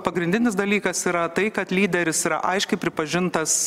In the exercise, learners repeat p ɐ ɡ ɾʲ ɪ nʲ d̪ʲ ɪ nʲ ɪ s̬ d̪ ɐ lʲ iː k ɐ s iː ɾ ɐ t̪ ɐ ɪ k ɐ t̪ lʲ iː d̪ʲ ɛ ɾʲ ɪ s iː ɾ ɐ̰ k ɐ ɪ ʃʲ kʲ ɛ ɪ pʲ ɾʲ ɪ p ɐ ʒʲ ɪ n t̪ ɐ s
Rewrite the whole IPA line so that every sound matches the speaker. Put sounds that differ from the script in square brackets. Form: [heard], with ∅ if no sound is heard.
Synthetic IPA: p ɐ ɡ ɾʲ ɪ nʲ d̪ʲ ɪ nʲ ɪ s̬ d̪ ɐ lʲ iː k ɐ s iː ɾ ɐ t̪ ɐ ɪ k ɐ t̪ lʲ iː d̪ʲ ɛ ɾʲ ɪ s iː ɾ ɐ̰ [ʔ] ɐ ɪ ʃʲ kʲ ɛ ɪ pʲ ɾʲ ɪ p ɐ ʒʲ ɪ n t̪ ɐ s